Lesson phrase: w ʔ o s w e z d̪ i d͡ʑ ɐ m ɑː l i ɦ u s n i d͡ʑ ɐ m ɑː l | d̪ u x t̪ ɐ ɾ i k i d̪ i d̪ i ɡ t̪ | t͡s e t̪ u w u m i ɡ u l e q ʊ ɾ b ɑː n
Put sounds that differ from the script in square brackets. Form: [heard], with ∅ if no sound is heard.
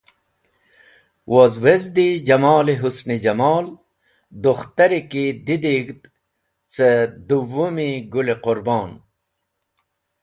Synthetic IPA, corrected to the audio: w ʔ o [z] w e z d̪ i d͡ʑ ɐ m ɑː l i ɦ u s n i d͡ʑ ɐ m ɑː l | d̪ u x t̪ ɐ ɾ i k i d̪ i d̪ i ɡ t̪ | t͡s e [d̪] u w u m i ɡ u l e q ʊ ɾ b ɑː n